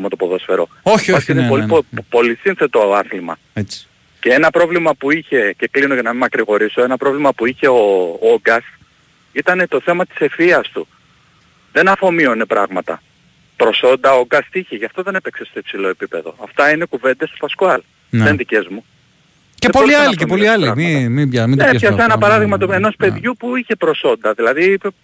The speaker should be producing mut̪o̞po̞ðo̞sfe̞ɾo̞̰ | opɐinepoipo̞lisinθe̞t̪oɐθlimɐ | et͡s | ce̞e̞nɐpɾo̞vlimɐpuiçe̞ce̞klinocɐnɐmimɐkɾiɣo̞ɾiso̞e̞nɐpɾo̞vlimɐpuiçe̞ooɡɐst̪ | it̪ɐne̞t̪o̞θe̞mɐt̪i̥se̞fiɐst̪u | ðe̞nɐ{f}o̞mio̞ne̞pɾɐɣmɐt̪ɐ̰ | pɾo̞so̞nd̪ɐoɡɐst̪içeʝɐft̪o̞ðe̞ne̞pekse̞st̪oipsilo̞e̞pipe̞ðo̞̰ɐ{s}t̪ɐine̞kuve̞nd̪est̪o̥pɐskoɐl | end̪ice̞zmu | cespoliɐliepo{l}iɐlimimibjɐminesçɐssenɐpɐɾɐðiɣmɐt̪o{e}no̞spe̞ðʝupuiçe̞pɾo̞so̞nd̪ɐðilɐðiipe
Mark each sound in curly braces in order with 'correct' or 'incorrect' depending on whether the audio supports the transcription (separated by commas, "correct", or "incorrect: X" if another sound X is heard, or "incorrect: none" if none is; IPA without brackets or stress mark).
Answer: correct, incorrect: f, correct, correct